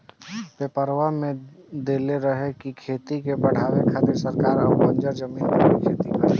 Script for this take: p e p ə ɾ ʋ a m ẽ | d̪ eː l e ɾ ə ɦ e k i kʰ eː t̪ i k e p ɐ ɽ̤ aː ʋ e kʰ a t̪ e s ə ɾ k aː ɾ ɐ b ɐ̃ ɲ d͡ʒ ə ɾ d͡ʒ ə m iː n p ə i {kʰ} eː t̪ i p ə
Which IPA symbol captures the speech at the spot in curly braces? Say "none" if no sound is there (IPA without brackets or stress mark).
kʰ